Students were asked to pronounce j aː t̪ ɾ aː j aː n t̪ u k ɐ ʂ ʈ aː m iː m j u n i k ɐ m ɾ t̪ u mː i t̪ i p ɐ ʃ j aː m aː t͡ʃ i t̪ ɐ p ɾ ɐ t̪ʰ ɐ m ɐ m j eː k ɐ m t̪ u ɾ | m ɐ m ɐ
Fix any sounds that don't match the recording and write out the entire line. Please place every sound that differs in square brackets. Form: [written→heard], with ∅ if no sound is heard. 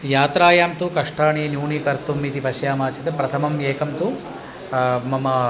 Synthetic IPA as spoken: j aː t̪ ɾ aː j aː [n→m] t̪ u k ɐ ʂ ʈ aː [m→ɳ] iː [m→n] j [u→uː] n i k ɐ [m→∅] ɾ t̪ u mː i t̪ i p ɐ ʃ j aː m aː t͡ʃ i t̪ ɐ p ɾ ɐ t̪ʰ ɐ m ɐ m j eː k ɐ m t̪ u [ɾ→∅] | m ɐ m ɐ